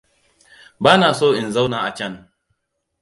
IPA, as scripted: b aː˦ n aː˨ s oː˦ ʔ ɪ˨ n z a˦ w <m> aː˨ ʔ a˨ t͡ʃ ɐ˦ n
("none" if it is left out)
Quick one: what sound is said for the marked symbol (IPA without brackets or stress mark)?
n